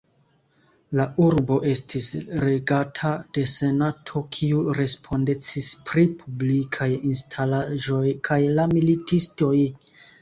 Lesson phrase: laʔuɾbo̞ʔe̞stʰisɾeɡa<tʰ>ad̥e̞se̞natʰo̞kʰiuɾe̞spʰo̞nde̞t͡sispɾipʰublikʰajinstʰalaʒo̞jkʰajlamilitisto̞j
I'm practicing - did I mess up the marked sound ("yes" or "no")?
no